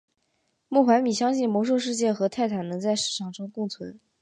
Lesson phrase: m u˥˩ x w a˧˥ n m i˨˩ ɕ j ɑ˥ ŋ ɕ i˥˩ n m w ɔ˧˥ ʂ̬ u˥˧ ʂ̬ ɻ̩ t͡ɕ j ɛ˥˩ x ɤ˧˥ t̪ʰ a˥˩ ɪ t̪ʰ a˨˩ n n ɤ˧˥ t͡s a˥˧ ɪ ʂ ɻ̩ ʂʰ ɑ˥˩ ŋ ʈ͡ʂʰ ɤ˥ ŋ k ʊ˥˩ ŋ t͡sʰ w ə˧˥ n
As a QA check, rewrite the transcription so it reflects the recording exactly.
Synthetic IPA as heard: m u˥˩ x w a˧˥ n m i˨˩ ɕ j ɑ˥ ŋ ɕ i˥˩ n m w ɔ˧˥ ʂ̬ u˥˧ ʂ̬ ɻ̩ t͡ɕ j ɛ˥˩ x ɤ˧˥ t̪ʰ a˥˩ ɪ t̪ʰ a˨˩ n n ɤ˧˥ t͡s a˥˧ ɪ ʂ ɻ̩ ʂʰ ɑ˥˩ ŋ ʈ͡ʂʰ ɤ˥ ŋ k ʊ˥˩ ŋ t͡sʰ w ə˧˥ n